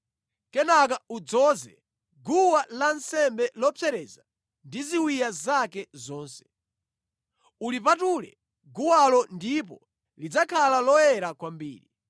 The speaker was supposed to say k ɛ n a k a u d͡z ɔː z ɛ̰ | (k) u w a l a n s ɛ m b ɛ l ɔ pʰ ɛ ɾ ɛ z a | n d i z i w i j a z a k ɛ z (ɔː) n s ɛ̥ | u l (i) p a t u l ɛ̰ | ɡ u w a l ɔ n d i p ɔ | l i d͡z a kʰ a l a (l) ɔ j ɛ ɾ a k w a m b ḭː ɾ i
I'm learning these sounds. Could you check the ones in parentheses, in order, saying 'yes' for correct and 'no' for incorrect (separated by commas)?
no, yes, yes, yes